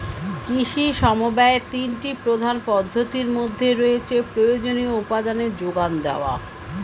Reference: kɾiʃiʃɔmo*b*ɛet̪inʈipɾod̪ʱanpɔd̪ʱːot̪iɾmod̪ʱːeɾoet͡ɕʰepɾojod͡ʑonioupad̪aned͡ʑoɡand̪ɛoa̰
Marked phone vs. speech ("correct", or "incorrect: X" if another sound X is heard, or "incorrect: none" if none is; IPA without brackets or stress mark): correct